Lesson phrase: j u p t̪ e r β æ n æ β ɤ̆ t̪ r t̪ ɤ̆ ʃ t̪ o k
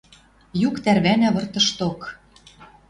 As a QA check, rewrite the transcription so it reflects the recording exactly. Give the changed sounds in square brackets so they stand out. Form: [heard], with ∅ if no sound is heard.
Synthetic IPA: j u [k] t̪ [æ] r β æ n æ β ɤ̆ [∅] r t̪ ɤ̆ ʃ t̪ o k